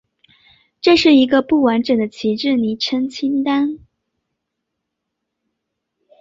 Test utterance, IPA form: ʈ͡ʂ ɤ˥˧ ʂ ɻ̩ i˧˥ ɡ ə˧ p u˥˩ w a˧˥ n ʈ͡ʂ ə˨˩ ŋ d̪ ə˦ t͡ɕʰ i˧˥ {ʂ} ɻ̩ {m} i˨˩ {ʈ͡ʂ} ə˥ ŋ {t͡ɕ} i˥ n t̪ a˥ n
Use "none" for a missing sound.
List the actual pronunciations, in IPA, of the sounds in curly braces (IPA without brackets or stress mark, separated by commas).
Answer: ʈ͡ʂ, n, ʈ͡ʂʰ, t͡ɕʰ